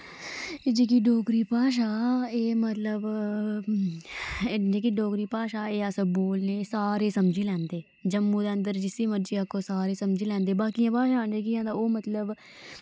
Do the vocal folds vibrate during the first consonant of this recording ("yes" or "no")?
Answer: yes